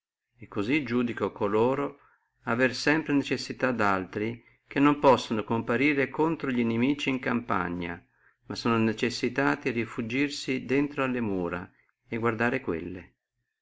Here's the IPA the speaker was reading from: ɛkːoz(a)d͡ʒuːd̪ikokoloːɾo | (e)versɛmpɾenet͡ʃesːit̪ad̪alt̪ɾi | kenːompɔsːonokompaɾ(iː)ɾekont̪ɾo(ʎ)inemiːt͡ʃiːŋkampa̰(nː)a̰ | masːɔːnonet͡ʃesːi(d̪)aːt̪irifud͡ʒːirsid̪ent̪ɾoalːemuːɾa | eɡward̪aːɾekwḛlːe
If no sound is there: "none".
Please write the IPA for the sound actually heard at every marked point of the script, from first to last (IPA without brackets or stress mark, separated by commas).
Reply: i, a, iː, ʎ, ɲː, t̪